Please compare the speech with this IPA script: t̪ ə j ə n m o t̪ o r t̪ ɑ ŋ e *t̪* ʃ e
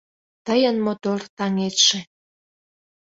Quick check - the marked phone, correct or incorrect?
correct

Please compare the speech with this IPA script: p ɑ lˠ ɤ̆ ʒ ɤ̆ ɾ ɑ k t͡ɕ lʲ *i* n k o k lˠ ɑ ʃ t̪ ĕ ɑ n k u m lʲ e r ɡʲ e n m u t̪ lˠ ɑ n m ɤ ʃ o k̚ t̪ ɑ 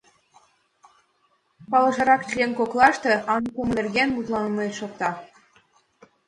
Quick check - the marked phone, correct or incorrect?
incorrect: e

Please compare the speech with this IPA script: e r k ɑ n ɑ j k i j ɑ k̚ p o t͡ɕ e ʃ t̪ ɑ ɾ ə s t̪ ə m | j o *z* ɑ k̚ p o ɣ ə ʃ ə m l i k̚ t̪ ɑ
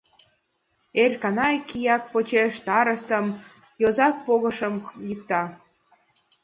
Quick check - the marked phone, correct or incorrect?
correct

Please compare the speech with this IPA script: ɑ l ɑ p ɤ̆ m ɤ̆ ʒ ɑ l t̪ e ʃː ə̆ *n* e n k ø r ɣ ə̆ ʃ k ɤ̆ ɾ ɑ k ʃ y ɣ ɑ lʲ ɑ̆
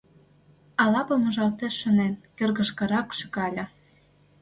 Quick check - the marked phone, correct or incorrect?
correct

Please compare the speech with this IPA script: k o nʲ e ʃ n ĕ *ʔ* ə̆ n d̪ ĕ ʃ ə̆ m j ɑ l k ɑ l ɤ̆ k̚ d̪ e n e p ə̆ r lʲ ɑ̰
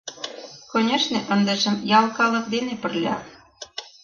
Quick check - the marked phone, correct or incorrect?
correct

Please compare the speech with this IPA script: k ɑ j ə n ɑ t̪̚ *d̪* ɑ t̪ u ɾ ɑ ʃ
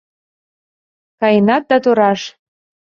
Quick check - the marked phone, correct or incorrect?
correct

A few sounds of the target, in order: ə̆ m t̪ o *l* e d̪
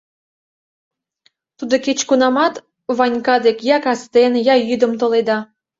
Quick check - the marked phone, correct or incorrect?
correct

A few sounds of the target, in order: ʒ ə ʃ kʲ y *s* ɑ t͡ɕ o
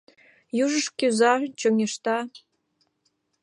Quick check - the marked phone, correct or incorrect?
incorrect: z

